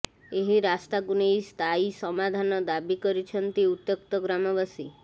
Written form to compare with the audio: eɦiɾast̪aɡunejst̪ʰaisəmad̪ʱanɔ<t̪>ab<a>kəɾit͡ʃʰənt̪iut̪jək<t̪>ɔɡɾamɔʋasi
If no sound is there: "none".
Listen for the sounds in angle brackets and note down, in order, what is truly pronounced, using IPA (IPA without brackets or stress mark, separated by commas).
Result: d̪, i, t̪